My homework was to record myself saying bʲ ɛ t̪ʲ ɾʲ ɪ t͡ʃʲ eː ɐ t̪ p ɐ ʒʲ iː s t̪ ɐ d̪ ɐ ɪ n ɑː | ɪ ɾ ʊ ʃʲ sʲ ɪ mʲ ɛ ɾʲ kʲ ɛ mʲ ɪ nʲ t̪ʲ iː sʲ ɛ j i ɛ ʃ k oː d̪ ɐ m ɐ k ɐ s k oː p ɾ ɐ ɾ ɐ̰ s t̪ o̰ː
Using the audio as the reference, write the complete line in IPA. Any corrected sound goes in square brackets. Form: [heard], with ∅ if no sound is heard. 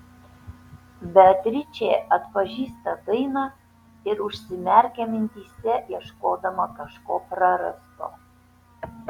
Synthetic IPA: bʲ ɛ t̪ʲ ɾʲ ɪ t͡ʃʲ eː ɐ t̪ p ɐ ʒʲ iː s t̪ ɐ d̪ ɐ ɪ n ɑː | ɪ ɾ ʊ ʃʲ sʲ ɪ mʲ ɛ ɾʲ kʲ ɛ mʲ ɪ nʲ t̪ʲ iː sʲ ɛ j i ɛ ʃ k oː d̪ ɐ m ɐ k ɐ [ʃ] k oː p ɾ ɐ ɾ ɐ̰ s t̪ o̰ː